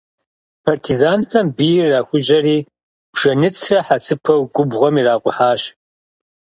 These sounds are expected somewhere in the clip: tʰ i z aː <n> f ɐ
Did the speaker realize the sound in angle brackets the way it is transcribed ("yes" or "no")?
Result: yes